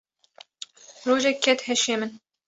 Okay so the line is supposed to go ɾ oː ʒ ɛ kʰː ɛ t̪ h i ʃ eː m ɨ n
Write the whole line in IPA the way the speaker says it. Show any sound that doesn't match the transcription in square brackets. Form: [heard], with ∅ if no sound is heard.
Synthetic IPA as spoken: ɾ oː ʒ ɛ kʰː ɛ t̪ h [ɛ] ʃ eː m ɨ n